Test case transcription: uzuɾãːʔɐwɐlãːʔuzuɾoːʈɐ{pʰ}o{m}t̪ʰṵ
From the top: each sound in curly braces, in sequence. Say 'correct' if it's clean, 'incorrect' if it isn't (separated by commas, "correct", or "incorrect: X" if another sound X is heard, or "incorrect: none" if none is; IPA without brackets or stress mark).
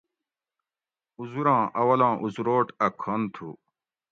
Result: incorrect: kʰ, incorrect: n